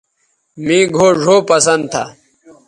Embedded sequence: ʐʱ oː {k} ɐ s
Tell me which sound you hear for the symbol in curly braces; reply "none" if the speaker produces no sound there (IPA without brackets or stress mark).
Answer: p